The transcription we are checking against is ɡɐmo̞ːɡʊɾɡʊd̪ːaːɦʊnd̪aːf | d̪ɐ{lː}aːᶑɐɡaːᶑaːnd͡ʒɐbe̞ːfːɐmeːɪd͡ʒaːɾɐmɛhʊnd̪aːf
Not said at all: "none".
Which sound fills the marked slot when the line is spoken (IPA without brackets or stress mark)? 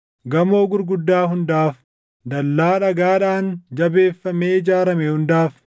lː